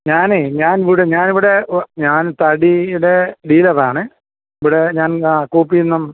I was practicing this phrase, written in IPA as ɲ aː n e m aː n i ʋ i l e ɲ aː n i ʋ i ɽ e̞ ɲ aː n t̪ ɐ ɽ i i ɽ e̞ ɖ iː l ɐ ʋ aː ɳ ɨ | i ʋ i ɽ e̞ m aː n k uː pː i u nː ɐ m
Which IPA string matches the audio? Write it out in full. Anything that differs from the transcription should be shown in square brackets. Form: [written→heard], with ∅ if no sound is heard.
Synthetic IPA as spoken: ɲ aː n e [m→ɲ] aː n i ʋ i [l→ɽ] e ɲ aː n i ʋ i ɽ e̞ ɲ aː n t̪ ɐ ɽ i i ɽ e̞ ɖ iː l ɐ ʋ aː ɳ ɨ | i ʋ i ɽ e̞ [m→ɲ] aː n k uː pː i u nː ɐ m

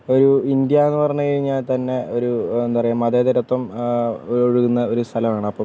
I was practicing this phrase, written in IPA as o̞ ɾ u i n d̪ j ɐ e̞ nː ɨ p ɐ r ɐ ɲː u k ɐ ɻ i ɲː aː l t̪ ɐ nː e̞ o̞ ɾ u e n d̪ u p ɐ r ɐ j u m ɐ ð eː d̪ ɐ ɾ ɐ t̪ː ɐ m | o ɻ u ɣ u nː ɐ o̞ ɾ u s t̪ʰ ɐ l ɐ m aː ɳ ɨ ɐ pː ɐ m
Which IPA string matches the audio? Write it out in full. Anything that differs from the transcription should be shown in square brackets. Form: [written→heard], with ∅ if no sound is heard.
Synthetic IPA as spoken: o̞ ɾ u i n d̪ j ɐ e̞ nː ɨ p ɐ r ɐ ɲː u k ɐ ɻ i ɲː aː l t̪ ɐ nː e̞ o̞ ɾ u e n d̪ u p ɐ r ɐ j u m ɐ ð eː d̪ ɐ ɾ ɐ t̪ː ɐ m | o ɻ u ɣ u nː ɐ o̞ ɾ u s t̪ʰ ɐ l ɐ m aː ɳ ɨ ɐ pː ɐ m

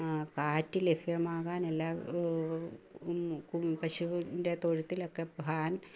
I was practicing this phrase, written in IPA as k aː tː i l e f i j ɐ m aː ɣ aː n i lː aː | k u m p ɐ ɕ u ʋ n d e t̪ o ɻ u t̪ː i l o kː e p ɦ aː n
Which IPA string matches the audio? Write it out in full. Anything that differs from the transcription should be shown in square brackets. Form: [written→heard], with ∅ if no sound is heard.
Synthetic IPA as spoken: k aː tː i l e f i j ɐ m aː ɣ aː n [i→e] lː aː | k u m p ɐ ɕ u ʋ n d e t̪ o ɻ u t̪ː i l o kː e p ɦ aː n

